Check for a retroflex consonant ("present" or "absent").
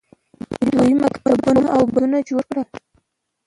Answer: present